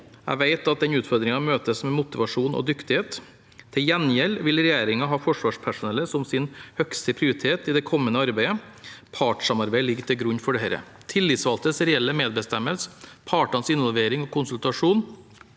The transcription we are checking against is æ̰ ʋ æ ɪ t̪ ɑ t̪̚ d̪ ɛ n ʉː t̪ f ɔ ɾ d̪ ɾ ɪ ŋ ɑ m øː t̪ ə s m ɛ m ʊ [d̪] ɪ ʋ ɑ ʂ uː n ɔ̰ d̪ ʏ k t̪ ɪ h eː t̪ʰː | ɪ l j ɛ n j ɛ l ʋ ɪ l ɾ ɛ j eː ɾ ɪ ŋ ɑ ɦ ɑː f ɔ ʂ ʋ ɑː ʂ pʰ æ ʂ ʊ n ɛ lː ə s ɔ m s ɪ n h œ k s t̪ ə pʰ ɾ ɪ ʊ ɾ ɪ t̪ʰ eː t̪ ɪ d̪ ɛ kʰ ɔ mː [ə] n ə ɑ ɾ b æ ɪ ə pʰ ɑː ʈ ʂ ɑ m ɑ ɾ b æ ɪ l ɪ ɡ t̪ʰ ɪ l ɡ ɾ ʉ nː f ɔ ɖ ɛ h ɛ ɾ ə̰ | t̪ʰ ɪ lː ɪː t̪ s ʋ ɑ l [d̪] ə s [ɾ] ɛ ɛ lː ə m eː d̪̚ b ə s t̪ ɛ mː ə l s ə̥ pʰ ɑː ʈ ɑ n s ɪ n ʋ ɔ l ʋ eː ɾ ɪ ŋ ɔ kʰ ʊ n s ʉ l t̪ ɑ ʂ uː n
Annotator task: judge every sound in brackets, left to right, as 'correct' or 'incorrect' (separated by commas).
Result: incorrect, correct, incorrect, correct